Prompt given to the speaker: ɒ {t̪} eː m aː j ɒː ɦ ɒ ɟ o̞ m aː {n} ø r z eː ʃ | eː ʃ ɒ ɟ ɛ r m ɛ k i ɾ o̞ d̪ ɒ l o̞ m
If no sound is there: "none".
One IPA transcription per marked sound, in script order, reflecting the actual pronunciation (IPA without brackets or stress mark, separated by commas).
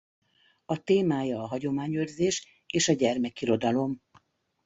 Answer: t̪, ɲ